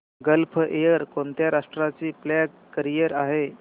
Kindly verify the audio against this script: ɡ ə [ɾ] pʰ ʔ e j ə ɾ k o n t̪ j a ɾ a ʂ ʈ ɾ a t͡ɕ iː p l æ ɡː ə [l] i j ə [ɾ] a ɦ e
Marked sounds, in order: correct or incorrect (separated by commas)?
incorrect, incorrect, correct